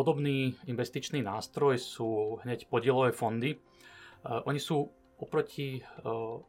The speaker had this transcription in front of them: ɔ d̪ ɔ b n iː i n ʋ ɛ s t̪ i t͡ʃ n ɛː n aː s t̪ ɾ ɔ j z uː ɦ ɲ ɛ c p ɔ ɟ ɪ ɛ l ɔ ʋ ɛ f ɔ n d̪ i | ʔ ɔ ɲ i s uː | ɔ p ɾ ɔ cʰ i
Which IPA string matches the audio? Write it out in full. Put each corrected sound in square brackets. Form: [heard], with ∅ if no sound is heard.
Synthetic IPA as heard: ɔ d̪ ɔ b n iː i n ʋ ɛ s t̪ i t͡ʃ n [iː] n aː s t̪ ɾ ɔ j [s] uː ɦ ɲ ɛ c p ɔ ɟ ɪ ɛ l ɔ ʋ ɛ f ɔ n d̪ i | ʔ ɔ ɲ i s uː | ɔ p ɾ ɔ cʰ i